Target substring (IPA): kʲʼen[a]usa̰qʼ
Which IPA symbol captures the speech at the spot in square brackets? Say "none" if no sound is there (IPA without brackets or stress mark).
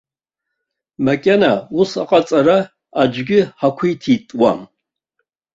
a